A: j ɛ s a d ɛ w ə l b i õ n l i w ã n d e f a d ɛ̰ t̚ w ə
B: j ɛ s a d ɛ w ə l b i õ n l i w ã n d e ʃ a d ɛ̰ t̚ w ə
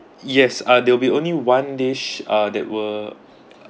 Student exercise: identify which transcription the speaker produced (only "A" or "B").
B